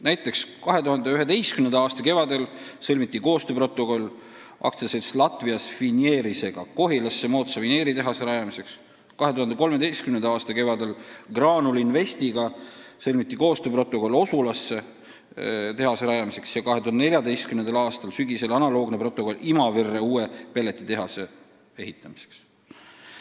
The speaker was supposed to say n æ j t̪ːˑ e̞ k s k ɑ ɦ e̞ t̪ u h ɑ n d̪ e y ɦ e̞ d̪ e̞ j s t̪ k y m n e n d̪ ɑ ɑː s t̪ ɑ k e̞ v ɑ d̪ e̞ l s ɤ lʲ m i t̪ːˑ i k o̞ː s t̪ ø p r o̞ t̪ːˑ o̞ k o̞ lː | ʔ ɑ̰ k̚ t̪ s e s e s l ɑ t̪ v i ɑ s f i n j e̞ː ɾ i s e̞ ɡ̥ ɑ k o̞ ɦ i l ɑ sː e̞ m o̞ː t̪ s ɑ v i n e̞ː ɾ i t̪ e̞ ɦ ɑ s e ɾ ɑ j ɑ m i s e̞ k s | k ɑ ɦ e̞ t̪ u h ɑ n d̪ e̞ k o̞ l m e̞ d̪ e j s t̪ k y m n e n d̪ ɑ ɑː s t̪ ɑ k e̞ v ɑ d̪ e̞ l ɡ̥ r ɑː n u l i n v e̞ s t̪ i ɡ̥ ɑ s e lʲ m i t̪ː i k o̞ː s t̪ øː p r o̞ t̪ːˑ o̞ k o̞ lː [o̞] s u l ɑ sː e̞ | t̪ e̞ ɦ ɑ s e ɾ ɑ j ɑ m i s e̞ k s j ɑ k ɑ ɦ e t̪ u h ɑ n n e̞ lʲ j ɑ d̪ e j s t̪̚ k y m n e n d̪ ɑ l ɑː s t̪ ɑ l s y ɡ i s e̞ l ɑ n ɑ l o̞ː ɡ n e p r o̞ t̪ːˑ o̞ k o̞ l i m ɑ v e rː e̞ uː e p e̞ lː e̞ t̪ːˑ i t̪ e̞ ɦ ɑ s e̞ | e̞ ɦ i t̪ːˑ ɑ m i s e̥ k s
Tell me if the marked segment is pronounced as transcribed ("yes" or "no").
yes